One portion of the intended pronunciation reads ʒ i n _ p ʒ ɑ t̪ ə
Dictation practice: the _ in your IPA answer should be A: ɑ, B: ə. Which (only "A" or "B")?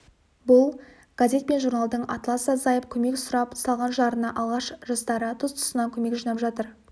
A